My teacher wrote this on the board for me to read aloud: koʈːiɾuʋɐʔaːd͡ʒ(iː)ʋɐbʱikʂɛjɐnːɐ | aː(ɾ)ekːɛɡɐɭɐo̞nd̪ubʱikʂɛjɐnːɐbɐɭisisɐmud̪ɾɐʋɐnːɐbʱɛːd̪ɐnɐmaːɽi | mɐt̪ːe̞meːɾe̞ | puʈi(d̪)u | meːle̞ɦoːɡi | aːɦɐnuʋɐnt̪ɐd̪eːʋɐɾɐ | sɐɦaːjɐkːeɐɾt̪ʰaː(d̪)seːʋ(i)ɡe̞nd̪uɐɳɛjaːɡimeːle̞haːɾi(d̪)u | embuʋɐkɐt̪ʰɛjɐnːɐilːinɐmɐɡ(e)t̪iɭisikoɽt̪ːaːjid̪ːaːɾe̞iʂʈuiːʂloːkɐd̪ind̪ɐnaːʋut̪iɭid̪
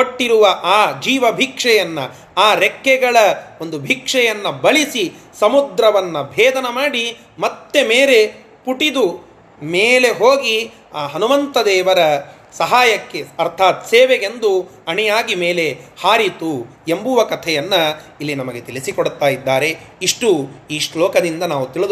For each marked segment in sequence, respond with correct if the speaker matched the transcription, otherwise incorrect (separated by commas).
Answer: correct, correct, correct, incorrect, incorrect, incorrect, correct